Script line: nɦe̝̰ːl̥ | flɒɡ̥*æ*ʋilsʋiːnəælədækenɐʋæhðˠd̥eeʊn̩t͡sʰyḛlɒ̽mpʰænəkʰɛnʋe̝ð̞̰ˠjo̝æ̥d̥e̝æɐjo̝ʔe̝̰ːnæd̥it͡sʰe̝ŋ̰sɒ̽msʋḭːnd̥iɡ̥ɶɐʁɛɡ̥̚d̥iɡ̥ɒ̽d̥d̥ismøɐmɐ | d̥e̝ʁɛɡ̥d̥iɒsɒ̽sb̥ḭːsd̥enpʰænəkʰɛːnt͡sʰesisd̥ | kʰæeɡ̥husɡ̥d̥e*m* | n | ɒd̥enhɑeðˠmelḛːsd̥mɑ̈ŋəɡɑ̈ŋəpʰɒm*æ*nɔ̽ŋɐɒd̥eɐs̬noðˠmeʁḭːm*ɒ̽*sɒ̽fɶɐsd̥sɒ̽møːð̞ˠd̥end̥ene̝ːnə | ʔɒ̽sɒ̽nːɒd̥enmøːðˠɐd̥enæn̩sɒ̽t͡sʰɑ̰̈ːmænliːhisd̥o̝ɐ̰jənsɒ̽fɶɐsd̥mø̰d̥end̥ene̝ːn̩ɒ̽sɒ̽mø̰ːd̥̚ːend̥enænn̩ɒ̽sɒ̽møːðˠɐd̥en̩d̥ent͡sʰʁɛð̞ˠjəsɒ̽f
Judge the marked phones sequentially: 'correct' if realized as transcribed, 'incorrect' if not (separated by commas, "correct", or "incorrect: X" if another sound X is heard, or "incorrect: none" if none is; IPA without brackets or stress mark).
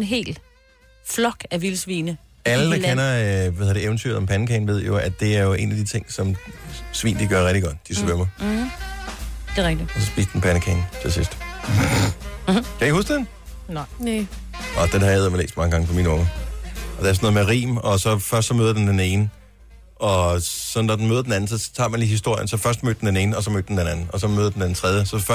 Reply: correct, incorrect: n, incorrect: i, correct